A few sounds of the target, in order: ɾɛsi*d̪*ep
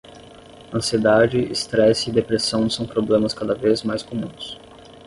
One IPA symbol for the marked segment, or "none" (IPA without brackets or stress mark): d̪